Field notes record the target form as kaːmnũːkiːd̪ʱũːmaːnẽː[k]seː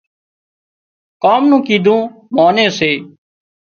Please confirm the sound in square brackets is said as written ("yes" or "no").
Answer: no